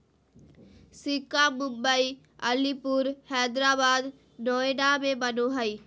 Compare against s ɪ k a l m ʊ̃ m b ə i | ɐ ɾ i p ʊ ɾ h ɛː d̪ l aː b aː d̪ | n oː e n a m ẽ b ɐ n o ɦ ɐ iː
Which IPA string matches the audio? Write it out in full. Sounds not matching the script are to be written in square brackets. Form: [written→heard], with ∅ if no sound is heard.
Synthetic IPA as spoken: s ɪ k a [l→∅] m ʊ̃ m b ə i | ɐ [ɾ→l] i p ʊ ɾ h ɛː d̪ [l→ɾ] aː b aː d̪ | n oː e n a m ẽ b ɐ n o ɦ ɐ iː